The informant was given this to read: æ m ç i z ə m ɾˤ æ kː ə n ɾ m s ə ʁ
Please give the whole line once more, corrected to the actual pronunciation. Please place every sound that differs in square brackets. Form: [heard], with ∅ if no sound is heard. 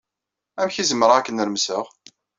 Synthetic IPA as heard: æ m ç i z ə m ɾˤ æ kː ə n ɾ m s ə ʁ